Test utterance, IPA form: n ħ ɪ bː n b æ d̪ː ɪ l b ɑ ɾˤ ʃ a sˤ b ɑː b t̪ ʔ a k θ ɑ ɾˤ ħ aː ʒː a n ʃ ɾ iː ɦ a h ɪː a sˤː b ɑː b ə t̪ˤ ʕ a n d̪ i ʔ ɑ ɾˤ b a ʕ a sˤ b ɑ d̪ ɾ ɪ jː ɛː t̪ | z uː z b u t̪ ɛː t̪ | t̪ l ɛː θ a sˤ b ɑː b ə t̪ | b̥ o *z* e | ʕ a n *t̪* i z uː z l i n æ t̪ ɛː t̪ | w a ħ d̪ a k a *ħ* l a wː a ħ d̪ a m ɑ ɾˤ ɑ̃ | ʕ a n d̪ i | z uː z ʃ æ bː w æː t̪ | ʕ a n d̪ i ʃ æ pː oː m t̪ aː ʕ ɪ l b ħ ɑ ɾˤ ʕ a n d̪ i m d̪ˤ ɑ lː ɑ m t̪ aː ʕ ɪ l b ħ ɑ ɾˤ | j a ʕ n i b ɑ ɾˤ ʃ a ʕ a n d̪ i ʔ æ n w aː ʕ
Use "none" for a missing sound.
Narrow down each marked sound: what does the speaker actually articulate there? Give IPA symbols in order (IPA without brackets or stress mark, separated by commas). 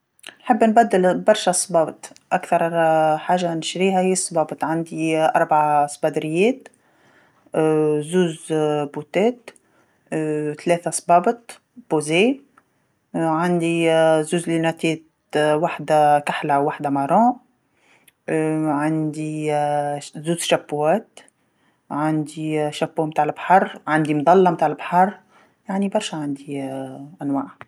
z, d̪, ħ